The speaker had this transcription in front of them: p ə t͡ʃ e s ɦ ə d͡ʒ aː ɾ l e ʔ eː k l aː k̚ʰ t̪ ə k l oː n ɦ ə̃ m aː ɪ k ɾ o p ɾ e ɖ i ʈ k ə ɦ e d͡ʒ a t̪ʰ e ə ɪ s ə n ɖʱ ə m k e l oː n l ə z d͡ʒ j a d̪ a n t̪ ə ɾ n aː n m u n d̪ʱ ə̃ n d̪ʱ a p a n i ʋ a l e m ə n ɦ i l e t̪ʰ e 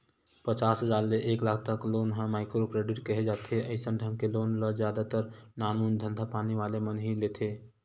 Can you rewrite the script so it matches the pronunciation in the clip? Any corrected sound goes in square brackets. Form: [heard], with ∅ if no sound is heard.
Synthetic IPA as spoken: p ə t͡ʃ [a] s ɦ ə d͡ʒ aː ɾ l e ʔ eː k l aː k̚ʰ t̪ ə k l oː n ɦ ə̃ m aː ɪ k ɾ o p ɾ e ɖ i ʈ k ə ɦ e d͡ʒ a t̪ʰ e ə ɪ s ə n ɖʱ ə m k e l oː n l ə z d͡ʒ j a d̪ a [∅] t̪ ə ɾ n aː n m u n d̪ʱ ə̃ n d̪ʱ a p a n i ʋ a l e m ə n ɦ i l e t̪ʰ e